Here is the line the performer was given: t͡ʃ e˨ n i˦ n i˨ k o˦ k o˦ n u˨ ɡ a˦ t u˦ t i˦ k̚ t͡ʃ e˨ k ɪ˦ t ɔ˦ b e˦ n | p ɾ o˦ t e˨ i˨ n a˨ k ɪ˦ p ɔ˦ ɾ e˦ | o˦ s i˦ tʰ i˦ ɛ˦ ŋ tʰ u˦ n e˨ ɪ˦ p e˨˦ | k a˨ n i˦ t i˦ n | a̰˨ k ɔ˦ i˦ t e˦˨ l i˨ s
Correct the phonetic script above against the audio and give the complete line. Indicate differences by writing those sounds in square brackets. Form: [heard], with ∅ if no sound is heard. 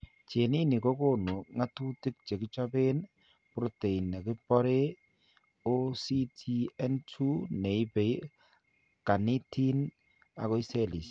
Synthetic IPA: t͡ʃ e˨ n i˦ n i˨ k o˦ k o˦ n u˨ [ŋ] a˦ t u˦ t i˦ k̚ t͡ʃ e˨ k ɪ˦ [t͡ʃ] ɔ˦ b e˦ n | p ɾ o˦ t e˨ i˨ n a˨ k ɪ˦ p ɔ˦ ɾ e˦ | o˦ s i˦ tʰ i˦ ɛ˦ [n] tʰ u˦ n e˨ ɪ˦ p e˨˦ | k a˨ n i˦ t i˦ n | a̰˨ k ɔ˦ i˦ [s] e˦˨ l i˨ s